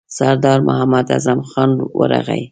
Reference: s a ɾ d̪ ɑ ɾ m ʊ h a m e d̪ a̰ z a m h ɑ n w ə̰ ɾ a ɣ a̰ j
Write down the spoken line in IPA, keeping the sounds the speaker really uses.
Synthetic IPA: s a ɾ d̪ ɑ ɾ m ʊ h a m a d̪ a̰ z a m x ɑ n w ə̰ ɾ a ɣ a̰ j